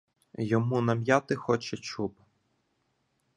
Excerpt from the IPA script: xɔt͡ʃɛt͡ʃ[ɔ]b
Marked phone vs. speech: incorrect: u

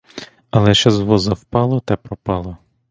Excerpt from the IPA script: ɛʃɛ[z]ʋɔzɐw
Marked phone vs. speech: correct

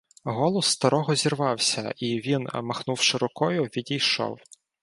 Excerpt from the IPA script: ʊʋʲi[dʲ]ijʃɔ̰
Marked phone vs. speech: correct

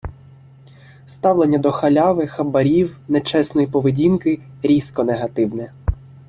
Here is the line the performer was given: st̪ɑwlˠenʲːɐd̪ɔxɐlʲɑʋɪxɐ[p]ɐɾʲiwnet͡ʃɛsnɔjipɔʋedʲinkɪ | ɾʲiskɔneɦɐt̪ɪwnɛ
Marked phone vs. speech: incorrect: b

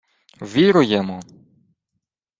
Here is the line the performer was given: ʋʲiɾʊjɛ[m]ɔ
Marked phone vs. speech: correct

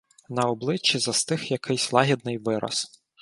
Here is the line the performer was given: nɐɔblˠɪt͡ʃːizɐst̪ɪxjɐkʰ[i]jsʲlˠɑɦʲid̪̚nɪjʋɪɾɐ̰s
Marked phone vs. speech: incorrect: ɪ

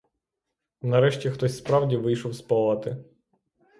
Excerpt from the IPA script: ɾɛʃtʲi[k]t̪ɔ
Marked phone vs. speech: incorrect: x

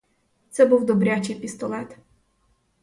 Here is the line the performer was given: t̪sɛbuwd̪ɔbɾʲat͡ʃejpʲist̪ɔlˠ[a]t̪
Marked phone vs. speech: incorrect: ɛ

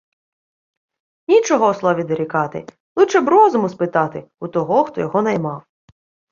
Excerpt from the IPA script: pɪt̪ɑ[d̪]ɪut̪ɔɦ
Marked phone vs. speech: incorrect: t̪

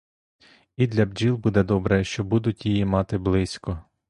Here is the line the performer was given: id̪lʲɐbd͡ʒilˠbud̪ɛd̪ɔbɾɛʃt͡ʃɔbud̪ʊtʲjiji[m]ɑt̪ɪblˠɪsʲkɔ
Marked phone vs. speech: correct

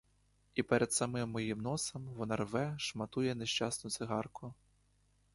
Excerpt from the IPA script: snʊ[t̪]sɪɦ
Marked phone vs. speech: correct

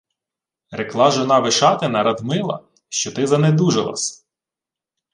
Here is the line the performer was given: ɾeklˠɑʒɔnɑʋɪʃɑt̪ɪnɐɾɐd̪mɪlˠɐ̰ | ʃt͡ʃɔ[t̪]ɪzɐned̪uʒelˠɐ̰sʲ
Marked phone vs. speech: correct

